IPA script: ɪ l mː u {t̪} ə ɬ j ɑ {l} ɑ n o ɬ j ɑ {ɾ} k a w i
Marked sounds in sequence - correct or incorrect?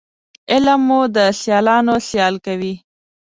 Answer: incorrect: d̪, correct, incorrect: l

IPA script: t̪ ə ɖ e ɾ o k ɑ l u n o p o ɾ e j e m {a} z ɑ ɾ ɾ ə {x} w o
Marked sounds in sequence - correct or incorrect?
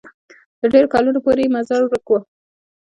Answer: correct, incorrect: k

